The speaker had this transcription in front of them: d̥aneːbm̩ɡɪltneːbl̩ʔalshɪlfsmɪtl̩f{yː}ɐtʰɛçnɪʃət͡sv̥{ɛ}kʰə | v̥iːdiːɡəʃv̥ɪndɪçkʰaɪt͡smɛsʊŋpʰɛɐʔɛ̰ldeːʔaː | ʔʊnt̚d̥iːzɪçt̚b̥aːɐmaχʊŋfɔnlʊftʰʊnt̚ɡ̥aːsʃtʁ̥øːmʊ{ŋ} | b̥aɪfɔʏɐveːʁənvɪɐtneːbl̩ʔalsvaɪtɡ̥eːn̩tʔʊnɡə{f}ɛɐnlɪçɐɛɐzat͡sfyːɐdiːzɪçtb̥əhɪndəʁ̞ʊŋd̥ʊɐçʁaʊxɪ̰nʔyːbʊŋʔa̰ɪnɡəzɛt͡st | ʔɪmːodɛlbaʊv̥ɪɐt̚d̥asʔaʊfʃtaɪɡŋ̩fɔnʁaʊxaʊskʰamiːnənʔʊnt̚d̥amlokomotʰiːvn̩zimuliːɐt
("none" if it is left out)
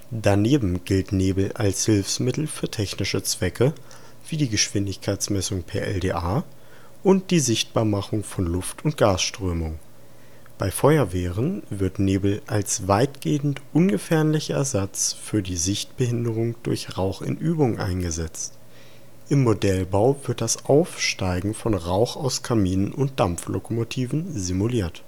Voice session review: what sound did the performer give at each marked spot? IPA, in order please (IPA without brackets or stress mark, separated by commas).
yː, ɛ, ŋ, f